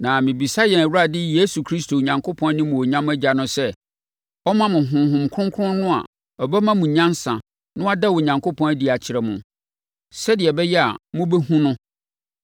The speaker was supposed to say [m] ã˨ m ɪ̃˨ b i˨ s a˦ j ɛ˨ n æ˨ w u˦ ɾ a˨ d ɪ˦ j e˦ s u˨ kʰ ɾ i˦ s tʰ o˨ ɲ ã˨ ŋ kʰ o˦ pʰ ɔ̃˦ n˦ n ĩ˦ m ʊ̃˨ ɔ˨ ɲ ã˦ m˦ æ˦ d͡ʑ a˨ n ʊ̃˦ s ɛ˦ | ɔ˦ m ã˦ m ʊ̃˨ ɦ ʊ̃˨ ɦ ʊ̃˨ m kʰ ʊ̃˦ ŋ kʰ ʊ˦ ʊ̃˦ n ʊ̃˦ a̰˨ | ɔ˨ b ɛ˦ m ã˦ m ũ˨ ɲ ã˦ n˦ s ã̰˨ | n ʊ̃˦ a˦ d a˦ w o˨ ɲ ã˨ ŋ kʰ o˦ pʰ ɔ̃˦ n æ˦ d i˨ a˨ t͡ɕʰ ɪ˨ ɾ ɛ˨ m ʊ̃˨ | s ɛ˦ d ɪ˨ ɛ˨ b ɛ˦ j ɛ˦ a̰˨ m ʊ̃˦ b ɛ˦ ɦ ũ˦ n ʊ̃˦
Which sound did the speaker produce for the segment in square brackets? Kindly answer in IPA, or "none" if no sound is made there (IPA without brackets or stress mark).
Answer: n